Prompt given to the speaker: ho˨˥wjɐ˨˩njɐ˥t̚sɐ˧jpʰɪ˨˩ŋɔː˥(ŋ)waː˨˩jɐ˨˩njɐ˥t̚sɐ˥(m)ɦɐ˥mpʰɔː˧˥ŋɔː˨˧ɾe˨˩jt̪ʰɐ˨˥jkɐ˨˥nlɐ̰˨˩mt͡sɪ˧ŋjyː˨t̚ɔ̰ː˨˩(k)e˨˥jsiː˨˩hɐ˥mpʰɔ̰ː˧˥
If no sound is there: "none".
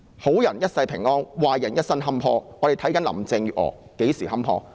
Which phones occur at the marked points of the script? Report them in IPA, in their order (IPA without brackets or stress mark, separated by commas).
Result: n, n, k